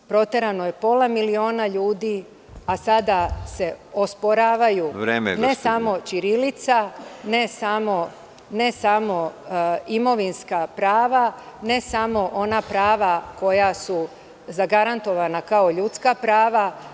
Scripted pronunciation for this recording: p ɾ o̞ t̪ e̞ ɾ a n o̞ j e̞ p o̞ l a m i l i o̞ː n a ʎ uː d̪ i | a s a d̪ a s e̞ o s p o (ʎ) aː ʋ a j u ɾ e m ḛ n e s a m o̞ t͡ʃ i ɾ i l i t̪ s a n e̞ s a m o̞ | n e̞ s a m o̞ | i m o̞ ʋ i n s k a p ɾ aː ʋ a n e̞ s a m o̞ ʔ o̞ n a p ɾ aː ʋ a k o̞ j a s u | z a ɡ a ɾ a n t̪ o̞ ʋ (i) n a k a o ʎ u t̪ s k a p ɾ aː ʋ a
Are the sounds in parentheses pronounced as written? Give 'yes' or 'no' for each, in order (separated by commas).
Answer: no, no